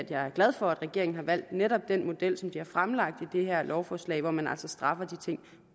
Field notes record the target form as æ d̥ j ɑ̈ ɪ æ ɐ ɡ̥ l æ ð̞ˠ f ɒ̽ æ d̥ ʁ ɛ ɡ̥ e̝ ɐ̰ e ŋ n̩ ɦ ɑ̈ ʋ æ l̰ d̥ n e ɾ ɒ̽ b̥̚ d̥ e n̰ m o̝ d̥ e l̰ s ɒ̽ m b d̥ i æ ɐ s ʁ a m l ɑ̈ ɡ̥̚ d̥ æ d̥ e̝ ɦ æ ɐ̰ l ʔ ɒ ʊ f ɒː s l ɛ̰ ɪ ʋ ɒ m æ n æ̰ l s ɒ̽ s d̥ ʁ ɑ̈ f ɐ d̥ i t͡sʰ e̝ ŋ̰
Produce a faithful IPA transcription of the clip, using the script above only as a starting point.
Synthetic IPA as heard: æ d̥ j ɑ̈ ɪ æ ɐ ɡ̥ l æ ð̞ˠ f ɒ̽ æ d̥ ʁ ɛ ɡ̥ e̝ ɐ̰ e ŋ n̩ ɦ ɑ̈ ʋ æ l̰ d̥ n e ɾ ɒ̽ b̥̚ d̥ e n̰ m o̝ d̥ e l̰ s ɒ̽ m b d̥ i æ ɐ f ʁ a m l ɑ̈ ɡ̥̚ d̥ i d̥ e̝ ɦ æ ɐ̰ l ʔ ɒ ʊ f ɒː s l ɛ̰ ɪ ʋ ɒ m æ n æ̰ l s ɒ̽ s d̥ ʁ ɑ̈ f ɐ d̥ i t͡sʰ e̝ ŋ̰